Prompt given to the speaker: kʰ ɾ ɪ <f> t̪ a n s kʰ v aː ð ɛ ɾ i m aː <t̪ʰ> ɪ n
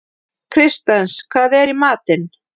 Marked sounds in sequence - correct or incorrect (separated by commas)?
incorrect, incorrect